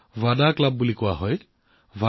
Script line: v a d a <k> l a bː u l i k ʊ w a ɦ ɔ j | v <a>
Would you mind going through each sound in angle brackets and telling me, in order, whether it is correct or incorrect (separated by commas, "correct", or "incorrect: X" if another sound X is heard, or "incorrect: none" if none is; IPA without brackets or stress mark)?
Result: correct, correct